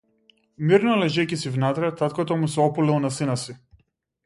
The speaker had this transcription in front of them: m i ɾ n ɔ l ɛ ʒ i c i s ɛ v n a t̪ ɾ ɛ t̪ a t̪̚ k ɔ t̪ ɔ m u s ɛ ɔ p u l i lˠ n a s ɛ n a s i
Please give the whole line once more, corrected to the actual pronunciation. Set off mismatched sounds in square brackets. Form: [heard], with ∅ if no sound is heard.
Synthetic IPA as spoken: m i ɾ n ɔ l ɛ ʒ [ɛ] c i s [i] v n a t̪ ɾ ɛ t̪ a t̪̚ k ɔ t̪ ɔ m u s ɛ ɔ p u l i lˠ n a s [i] n a s i